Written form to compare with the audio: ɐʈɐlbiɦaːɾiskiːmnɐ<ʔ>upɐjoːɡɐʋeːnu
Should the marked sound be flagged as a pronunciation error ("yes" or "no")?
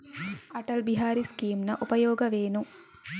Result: no